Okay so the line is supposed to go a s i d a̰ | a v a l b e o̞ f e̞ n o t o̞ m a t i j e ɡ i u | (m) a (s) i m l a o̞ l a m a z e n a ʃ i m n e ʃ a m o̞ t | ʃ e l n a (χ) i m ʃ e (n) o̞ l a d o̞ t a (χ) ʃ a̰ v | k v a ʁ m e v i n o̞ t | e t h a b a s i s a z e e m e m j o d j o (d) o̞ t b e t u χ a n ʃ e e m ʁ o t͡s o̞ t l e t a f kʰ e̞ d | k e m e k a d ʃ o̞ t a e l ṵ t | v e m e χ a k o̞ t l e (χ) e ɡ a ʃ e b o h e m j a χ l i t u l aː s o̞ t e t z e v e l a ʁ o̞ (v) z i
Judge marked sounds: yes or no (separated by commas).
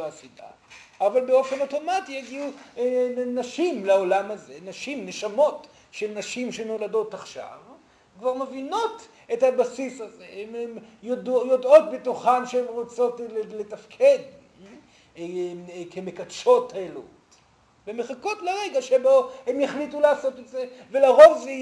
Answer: no, no, no, yes, yes, yes, no, yes